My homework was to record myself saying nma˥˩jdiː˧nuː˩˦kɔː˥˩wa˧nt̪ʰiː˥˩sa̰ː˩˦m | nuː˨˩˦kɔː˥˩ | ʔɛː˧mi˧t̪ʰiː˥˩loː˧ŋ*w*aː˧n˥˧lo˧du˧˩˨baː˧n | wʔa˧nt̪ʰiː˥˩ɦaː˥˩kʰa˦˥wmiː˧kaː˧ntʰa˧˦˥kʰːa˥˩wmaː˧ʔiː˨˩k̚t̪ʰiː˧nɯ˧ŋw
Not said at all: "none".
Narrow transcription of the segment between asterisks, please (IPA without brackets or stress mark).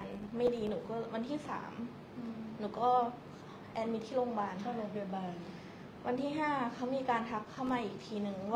b